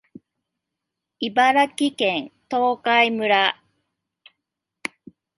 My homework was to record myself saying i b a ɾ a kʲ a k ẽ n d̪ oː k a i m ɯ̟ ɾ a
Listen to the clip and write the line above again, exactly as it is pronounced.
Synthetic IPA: i b a ɾ a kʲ i k ẽ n t̪ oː k a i m ɯ̟ ɾ a

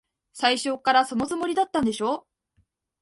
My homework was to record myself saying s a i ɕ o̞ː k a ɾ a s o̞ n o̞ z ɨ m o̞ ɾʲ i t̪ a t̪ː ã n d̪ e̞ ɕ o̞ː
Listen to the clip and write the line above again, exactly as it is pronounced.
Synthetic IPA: s a i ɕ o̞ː k a ɾ a s o̞ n o̞ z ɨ m o̞ ɾʲ i d̪ a t̪ː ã n d̪ e̞ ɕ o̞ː

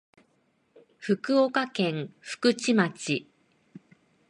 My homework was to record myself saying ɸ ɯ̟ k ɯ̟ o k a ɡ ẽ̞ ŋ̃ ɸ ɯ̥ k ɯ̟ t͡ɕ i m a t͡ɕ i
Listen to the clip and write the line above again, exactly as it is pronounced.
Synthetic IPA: ɸ ɯ̟ k ɯ̟ o k a k ẽ̞ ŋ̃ ɸ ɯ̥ k ɯ̟ t͡ɕ i m a t͡ɕ i

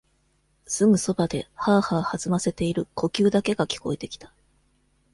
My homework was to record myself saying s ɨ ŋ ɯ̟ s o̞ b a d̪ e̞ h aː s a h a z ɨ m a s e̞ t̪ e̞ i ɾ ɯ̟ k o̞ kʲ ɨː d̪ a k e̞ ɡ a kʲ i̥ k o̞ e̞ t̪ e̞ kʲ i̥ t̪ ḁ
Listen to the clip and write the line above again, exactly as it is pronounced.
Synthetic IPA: s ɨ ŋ ɯ̟ s o̞ b a d̪ e̞ h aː h a h a z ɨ m a s e̞ t̪ e̞ i ɾ ɯ̟ k o̞ kʲ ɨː d̪ a k e̞ ɡ a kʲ i̥ k o̞ e̞ t̪ e̞ kʲ i̥ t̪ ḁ

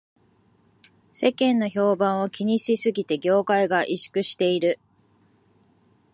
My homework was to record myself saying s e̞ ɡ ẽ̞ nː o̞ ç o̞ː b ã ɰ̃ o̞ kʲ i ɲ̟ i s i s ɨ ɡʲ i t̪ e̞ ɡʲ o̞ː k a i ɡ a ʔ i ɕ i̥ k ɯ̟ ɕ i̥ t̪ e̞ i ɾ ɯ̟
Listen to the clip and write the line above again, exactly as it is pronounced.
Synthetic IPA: s e̞ k ẽ̞ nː o̞ ç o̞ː b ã ɰ̃ o̞ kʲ i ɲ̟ i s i s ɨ ɡʲ i t̪ e̞ ɡʲ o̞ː k a i ɡ a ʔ i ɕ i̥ k ɯ̟ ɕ i̥ t̪ e̞ i ɾ ɯ̟

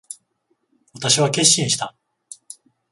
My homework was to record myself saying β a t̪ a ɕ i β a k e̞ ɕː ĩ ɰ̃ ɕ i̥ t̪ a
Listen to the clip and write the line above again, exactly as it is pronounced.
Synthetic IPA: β a t̪ a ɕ i β a k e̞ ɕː ĩ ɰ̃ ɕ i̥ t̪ a

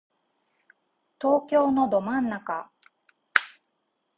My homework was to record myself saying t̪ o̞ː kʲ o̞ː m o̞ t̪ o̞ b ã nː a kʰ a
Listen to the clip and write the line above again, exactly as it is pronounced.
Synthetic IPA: t̪ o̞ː kʲ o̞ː n o̞ d̪ o̞ m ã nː a k a

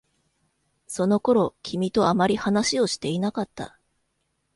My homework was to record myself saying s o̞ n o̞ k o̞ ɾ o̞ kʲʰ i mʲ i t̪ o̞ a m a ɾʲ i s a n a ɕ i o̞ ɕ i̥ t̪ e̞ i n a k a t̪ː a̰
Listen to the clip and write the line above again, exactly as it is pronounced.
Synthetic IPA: s o̞ n o̞ k o̞ ɾ o̞ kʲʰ i mʲ i t̪ o̞ a m a ɾʲ i h a n a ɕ i o̞ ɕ i̥ t̪ e̞ i n a k a t̪ː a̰

